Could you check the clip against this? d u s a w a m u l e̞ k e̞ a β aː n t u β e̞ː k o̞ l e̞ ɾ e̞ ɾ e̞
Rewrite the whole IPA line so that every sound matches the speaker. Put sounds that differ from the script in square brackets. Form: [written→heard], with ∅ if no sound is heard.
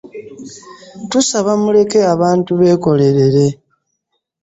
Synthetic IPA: [d→t] u s a [w→β] a m u l e̞ k e̞ a β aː n t u β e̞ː k o̞ l e̞ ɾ e̞ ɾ e̞